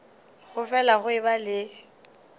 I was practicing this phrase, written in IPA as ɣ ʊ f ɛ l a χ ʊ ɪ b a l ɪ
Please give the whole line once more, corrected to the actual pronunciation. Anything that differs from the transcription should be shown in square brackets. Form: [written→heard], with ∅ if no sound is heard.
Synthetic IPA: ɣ ʊ f ɛ l a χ ʊ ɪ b a l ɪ